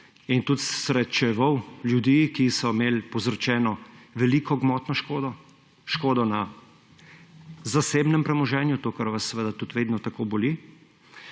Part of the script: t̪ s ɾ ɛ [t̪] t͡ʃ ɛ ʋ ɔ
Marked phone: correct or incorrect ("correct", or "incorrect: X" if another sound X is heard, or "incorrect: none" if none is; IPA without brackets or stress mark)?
correct